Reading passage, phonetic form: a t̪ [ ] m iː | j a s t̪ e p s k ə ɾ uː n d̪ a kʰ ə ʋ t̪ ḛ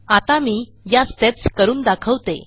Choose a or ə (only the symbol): a